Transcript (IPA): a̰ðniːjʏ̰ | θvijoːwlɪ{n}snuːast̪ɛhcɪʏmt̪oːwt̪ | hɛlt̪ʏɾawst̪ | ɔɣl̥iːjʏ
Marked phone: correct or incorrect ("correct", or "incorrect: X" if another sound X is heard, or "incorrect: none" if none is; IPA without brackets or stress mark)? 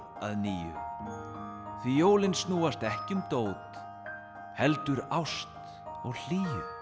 correct